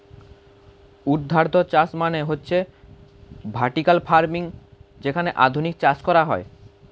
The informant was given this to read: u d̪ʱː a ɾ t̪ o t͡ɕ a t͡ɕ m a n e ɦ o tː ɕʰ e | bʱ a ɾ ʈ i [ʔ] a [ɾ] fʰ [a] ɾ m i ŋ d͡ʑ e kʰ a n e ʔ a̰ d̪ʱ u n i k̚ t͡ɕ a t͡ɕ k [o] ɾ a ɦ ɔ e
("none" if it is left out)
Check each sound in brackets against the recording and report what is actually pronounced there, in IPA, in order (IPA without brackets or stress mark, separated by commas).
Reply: k, l, a, ɔ